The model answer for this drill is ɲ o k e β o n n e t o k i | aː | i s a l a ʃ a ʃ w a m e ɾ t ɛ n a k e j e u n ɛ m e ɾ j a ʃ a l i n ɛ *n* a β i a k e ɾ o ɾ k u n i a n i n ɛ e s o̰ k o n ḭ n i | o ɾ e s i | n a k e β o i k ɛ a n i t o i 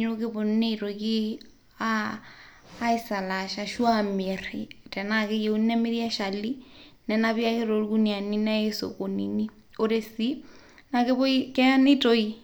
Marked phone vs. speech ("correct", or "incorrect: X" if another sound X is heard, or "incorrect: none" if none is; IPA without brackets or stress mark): correct